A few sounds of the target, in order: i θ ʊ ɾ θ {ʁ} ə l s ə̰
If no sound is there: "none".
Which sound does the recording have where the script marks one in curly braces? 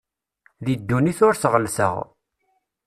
ʁ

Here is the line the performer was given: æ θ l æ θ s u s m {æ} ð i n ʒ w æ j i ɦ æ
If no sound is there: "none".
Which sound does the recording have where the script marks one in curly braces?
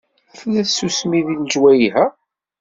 i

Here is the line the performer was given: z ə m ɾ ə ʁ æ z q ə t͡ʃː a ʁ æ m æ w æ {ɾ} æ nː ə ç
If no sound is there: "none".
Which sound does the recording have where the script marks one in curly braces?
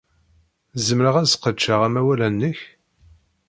l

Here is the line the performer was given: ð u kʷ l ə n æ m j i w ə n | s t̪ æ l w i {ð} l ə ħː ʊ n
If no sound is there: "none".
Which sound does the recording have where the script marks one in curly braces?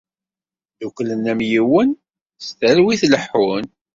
θ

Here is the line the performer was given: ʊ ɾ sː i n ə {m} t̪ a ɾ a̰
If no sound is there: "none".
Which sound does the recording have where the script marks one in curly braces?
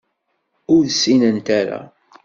n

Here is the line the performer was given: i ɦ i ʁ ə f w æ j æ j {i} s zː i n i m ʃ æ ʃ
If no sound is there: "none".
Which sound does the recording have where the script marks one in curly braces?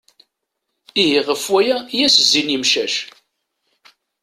æ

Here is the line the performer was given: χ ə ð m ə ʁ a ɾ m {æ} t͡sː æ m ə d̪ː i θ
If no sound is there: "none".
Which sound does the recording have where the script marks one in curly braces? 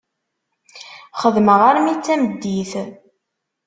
i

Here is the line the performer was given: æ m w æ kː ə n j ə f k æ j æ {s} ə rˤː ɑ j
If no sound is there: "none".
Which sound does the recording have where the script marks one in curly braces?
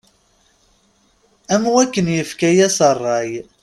s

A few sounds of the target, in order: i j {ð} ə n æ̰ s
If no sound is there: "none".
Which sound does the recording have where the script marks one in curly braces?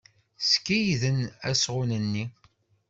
ð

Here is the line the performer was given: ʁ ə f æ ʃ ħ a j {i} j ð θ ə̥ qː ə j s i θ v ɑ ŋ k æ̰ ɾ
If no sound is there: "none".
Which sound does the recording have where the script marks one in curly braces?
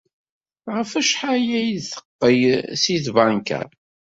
æ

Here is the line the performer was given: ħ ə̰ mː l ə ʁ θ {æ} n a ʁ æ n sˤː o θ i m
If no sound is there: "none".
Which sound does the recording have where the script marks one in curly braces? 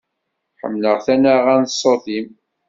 æ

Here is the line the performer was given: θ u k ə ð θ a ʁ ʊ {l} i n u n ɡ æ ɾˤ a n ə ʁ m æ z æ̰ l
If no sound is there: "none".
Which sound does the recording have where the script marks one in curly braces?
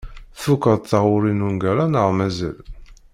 ɾ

